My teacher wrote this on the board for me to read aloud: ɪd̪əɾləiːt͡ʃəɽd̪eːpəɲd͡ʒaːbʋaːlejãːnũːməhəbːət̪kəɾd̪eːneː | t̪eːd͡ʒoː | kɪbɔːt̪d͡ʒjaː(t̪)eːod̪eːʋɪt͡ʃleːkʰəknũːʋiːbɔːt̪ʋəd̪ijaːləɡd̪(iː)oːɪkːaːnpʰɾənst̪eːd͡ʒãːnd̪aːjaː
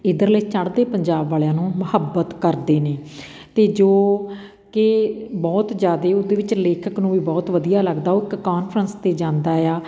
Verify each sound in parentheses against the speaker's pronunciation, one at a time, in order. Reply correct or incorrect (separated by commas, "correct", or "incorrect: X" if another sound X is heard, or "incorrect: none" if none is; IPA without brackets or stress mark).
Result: incorrect: d̪, incorrect: aː